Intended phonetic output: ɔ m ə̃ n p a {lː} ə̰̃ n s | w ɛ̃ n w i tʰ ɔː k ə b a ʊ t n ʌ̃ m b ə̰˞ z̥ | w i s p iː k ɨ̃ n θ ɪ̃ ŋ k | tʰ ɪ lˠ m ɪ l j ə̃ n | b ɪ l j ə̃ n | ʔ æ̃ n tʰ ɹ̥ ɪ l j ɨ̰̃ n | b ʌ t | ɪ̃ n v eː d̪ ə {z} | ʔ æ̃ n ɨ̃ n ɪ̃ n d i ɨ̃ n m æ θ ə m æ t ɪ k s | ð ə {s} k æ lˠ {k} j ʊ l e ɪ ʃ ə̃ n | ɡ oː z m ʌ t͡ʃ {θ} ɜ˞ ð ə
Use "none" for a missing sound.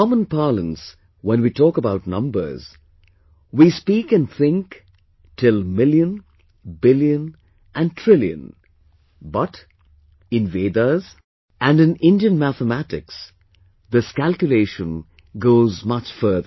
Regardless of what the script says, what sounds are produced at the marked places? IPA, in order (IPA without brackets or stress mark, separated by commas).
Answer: l, z, s, k, f